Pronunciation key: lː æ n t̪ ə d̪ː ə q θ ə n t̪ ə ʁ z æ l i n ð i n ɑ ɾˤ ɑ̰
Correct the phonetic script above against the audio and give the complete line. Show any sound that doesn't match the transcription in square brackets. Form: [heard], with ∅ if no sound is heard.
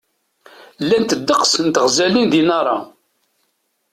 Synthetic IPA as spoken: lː æ n t̪ ə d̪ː ə q [s] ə n t̪ ə ʁ z æ l i n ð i n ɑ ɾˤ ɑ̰

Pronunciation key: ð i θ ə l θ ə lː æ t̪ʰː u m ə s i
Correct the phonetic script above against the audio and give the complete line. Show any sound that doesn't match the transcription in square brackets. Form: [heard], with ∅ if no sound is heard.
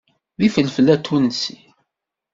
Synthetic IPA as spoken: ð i [f] ə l [f] ə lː æ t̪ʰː u [n] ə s i

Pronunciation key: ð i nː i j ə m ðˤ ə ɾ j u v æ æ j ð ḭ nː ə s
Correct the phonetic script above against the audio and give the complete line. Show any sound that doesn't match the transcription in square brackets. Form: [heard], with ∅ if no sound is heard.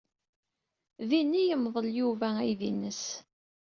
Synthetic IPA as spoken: ð i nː i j ə m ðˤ ə [l] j u v æ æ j ð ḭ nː ə s

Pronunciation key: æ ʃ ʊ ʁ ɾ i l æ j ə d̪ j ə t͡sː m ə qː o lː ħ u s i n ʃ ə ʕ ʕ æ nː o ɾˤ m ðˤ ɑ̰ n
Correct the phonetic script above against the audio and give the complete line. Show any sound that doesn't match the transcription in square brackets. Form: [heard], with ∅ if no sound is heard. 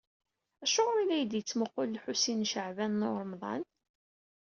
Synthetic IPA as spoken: æ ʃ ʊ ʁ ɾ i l æ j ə d̪ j ə t͡sː m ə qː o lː ħ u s i n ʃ ə ʕ [v] æ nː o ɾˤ m ðˤ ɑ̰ n

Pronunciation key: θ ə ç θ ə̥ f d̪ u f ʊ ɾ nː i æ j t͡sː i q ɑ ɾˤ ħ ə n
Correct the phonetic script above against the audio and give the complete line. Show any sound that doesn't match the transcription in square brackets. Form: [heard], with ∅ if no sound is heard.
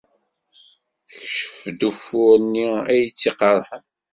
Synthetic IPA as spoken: θ ə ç [ʃ] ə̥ f d̪ u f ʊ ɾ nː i æ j t͡sː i q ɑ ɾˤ ħ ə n

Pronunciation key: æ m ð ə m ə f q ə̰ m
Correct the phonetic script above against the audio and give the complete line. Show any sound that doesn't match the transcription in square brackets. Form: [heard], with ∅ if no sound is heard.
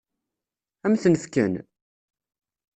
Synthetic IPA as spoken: æ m [θ] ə [n] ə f [k] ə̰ [n]

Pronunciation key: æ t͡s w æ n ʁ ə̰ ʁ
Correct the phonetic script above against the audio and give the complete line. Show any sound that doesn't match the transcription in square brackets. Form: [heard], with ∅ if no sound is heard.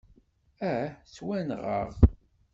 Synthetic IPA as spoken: æ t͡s w æ n ʁ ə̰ ʁ

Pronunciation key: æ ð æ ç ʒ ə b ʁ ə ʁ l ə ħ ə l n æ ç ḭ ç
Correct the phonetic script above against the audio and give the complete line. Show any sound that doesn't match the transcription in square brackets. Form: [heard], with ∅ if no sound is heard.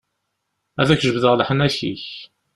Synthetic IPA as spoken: æ ð æ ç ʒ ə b [ð] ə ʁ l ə ħ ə [∅] n æ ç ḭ ç

